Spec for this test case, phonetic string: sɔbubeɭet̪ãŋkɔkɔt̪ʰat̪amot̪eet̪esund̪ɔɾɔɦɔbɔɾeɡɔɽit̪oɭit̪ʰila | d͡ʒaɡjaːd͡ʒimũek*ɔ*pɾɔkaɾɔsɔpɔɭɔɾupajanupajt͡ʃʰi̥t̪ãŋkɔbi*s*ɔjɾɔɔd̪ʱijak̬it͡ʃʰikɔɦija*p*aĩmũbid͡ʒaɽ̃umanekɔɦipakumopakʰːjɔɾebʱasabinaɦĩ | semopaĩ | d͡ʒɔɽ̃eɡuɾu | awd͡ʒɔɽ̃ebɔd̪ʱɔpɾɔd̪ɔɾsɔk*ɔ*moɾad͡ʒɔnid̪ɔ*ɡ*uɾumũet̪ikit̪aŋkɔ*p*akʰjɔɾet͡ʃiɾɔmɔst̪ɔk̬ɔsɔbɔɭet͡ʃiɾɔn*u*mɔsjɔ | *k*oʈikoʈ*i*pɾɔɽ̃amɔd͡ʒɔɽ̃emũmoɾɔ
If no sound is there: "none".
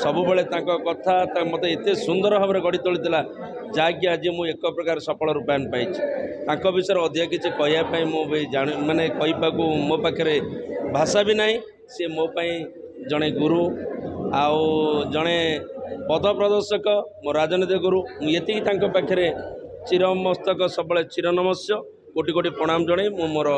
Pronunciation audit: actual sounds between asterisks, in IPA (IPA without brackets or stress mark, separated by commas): ɔ, s, p, ɔ, ɡ, p, ɔ, k, i